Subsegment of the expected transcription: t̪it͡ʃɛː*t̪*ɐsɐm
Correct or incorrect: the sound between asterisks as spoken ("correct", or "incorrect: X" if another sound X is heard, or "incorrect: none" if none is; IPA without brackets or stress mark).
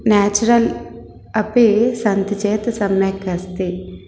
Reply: correct